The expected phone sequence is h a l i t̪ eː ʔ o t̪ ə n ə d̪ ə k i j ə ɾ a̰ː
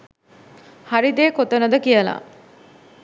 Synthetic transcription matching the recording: h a ɾ i d̪ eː k o t̪ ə n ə d̪ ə k i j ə l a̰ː